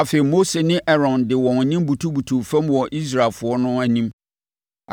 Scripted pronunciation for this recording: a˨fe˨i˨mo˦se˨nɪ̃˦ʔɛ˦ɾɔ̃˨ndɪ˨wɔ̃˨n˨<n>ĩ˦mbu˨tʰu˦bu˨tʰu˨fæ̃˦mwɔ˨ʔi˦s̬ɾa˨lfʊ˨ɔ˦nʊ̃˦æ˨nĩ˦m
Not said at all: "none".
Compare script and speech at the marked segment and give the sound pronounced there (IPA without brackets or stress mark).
ɲ